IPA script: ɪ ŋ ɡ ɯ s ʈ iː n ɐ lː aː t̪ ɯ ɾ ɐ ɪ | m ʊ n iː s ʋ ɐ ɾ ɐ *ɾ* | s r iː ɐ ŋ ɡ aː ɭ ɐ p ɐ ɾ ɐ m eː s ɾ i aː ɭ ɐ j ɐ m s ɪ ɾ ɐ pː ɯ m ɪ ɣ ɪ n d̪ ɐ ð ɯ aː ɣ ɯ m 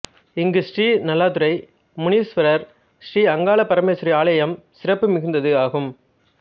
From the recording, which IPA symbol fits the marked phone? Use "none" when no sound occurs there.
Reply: ɾ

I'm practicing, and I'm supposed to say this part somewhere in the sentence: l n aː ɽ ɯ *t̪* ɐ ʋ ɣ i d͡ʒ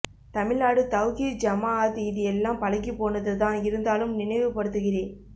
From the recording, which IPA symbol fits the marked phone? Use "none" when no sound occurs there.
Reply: t̪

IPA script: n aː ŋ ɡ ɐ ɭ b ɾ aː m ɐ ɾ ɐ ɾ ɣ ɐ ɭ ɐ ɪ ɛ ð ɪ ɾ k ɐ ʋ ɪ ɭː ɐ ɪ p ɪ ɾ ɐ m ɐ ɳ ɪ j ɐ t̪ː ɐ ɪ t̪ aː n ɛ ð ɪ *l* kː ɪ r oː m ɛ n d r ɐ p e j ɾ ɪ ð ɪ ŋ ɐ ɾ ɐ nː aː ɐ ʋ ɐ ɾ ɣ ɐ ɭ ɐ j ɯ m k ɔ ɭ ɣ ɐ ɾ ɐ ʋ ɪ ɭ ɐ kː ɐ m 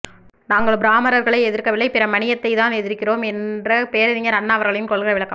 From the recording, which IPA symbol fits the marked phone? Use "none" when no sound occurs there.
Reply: ɾ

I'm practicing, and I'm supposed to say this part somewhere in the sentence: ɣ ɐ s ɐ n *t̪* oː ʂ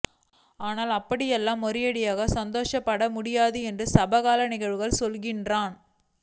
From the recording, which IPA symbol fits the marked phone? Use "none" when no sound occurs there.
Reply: d̪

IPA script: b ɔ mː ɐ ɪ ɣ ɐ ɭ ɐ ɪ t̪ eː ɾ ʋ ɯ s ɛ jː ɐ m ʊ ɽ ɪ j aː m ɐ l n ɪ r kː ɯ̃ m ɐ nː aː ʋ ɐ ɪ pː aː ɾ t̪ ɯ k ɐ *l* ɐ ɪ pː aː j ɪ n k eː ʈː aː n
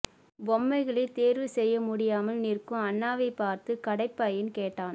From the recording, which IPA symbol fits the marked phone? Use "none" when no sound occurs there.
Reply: ɽ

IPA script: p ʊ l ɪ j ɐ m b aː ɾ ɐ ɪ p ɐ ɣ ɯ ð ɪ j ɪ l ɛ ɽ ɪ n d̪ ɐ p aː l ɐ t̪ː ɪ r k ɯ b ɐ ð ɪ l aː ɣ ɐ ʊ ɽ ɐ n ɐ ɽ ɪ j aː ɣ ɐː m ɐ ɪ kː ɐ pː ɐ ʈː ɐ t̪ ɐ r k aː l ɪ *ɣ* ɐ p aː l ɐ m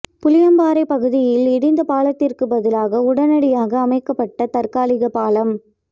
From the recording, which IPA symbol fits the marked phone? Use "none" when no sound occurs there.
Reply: ɣ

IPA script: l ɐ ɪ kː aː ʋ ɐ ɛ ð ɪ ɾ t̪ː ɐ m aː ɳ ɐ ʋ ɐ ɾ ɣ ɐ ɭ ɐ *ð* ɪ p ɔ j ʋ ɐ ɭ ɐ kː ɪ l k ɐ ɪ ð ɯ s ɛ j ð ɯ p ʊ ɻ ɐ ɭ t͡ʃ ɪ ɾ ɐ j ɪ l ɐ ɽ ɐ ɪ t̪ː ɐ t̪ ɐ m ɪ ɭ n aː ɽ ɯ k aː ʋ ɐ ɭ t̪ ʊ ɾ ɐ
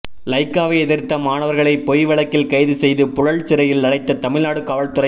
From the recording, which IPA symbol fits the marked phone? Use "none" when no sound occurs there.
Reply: none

